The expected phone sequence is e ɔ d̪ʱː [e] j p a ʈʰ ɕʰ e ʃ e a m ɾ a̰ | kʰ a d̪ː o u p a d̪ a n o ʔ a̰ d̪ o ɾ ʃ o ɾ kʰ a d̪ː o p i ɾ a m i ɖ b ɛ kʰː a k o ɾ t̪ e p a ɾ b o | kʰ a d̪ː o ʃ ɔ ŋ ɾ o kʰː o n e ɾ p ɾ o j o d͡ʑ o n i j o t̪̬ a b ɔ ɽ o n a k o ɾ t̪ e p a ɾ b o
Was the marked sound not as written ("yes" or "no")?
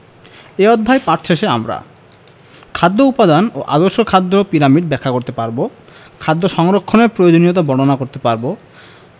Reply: yes